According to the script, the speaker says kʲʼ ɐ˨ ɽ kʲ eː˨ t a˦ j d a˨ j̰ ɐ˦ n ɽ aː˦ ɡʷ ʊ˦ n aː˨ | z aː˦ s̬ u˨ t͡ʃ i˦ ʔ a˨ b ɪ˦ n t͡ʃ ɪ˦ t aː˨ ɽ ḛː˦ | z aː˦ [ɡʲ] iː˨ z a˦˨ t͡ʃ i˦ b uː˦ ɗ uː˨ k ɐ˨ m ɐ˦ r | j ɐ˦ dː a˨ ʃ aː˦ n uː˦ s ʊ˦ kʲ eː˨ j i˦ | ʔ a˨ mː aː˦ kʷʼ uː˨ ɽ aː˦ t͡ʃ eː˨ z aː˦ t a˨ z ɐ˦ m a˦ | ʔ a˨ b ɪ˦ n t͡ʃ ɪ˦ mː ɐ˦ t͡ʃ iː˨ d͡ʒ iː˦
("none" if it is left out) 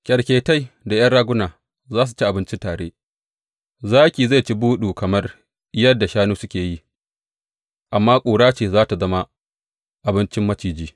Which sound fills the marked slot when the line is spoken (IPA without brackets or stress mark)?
kʲ